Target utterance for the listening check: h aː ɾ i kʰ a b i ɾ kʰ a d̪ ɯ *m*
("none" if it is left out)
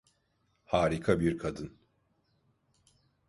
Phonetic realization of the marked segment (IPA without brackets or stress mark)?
n